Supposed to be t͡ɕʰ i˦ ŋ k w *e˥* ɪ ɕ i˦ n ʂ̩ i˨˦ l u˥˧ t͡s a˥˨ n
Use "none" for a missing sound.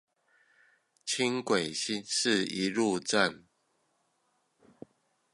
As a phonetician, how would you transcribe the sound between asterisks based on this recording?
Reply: e˨˩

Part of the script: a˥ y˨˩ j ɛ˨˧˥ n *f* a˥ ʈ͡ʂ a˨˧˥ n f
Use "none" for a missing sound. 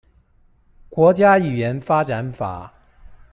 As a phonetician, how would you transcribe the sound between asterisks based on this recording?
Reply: f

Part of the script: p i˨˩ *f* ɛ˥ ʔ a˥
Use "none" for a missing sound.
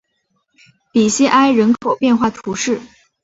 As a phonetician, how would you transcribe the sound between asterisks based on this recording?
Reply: ɕ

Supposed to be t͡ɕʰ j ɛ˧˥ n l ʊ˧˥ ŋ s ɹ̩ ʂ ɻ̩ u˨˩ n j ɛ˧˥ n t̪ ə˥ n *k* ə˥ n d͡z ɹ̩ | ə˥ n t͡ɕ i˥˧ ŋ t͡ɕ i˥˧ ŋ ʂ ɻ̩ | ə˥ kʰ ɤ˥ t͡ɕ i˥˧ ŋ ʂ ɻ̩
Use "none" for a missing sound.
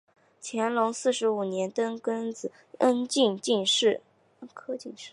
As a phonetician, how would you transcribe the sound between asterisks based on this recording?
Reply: k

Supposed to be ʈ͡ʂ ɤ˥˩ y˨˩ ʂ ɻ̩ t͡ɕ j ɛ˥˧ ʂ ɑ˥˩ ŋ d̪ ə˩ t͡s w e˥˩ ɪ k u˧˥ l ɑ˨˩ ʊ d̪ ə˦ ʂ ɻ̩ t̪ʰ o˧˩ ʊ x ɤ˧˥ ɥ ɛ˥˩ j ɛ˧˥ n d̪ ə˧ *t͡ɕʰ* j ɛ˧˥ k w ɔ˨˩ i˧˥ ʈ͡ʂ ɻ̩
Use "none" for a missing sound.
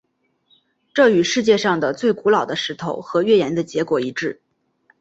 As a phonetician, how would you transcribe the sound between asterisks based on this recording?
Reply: t͡ɕ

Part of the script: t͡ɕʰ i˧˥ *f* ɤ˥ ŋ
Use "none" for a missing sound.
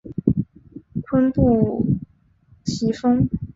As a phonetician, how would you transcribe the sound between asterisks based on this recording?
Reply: f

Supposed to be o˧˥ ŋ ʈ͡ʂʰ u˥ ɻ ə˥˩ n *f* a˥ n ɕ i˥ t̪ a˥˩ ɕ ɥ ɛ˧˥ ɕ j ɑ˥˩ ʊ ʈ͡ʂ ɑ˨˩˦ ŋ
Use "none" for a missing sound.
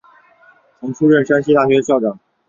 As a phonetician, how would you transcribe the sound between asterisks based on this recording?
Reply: ʂ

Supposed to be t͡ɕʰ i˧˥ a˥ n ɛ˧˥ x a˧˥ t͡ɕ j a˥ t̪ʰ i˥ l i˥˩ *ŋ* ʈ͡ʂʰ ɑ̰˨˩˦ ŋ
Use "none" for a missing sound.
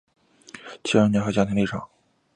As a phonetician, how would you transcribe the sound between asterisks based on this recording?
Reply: none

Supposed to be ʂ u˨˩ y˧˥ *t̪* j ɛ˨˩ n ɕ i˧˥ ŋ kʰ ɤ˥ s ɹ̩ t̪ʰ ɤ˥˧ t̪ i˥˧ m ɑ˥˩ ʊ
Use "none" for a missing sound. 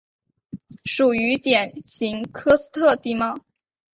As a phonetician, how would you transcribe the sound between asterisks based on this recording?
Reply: t̪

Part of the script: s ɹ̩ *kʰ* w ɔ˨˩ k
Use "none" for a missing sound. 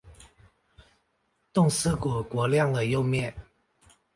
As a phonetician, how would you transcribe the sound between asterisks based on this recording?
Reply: k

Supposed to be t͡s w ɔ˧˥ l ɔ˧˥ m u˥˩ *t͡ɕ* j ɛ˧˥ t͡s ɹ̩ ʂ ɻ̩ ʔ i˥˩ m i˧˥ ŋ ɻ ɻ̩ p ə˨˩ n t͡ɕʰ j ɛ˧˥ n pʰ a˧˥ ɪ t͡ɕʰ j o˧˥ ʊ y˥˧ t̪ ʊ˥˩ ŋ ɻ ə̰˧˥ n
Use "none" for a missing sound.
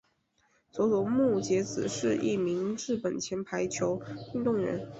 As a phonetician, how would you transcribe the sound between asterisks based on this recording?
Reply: t͡ɕ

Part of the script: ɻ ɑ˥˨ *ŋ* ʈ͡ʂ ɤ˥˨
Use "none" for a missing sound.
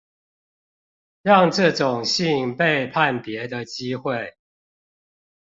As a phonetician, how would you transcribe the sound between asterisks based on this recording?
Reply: ŋ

